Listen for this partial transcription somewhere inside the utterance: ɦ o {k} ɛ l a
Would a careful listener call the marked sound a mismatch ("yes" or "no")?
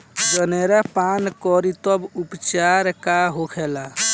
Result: yes